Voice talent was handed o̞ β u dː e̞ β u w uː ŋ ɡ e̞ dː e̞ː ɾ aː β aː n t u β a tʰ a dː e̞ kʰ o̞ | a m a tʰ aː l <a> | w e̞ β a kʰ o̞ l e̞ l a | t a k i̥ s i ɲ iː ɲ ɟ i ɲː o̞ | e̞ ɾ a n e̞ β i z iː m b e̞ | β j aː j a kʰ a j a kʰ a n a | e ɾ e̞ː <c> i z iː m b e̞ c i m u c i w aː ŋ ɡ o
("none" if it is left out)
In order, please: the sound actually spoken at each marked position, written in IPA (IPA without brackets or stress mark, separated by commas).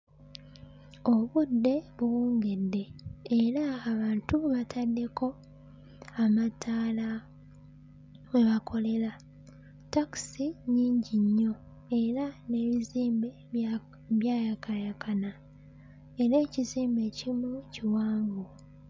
a, c